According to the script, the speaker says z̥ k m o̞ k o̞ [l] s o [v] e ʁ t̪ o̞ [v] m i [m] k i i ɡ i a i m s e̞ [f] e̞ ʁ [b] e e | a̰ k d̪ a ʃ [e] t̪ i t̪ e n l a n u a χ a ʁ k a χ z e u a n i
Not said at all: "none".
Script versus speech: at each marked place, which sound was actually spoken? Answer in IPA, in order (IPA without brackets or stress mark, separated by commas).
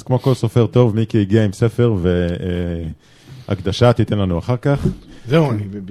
l, f, v, none, f, v, a